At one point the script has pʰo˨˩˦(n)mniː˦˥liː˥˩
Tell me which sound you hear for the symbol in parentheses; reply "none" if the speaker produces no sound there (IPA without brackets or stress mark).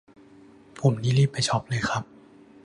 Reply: none